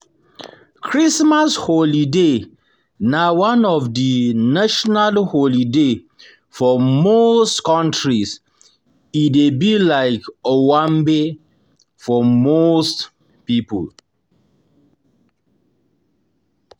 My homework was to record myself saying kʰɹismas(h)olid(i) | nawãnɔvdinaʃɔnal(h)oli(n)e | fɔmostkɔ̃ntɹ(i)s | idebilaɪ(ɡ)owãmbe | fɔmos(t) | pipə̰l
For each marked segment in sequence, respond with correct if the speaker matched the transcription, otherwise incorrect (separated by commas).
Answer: correct, incorrect, correct, incorrect, correct, incorrect, correct